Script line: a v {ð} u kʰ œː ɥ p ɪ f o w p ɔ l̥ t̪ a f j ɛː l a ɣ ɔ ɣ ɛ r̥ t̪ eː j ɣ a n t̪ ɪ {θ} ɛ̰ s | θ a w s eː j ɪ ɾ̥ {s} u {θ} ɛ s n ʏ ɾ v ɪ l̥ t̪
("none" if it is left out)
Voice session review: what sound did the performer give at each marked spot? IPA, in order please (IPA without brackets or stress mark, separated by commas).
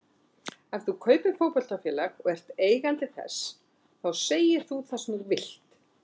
θ, θ, θ, θ